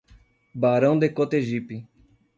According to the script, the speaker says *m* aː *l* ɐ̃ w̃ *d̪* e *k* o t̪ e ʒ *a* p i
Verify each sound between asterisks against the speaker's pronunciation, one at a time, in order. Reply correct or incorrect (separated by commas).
incorrect, incorrect, correct, correct, incorrect